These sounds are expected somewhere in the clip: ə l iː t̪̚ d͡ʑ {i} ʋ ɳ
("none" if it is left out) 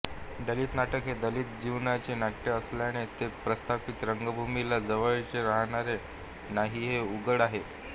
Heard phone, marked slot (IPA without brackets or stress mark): i